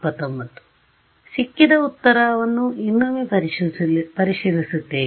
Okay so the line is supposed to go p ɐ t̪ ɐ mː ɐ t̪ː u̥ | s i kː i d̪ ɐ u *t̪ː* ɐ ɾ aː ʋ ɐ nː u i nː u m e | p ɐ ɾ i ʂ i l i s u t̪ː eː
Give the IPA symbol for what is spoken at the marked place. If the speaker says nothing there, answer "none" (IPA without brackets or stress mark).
t̪ː